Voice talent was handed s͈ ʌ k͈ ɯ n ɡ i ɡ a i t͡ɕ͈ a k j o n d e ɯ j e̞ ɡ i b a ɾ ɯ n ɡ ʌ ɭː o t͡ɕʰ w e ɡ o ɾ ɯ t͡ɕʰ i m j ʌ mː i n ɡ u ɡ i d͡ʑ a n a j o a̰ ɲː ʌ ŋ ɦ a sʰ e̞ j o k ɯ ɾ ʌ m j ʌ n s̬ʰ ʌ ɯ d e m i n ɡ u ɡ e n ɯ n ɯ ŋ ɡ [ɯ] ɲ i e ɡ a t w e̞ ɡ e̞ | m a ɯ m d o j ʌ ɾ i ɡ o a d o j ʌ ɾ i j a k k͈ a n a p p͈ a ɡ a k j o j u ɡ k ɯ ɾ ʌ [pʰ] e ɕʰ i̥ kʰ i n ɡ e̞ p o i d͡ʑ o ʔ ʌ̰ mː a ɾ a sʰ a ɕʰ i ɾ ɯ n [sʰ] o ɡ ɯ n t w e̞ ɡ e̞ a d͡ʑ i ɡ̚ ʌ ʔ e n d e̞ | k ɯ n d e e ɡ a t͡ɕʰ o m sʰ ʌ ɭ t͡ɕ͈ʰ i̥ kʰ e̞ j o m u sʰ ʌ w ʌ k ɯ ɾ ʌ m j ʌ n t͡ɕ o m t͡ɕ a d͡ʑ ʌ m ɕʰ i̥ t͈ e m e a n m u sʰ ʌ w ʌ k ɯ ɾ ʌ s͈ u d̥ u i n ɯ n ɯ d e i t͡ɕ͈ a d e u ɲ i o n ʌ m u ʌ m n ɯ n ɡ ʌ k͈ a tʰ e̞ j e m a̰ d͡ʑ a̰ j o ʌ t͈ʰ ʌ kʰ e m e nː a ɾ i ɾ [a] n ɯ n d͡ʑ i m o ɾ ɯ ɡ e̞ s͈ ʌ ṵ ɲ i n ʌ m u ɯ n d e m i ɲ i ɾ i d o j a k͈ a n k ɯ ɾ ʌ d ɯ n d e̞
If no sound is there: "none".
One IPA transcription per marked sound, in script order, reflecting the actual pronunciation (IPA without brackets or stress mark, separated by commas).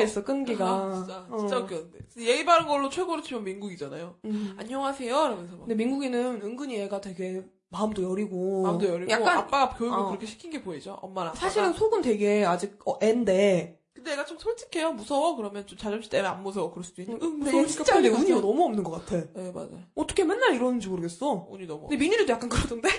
ɯ, kʰ, sʰ, ʌ